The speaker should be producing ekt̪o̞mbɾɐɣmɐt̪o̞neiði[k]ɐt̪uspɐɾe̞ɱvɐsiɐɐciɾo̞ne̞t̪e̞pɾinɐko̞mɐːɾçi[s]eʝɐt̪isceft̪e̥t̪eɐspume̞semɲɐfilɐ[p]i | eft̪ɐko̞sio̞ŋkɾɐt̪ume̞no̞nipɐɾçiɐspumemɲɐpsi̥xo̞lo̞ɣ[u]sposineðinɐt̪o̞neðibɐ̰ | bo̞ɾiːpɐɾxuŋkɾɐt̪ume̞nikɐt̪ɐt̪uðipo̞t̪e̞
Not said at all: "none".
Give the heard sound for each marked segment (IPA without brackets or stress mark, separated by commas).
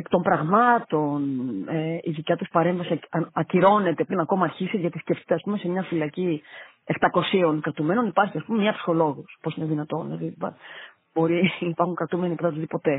c, s, c, u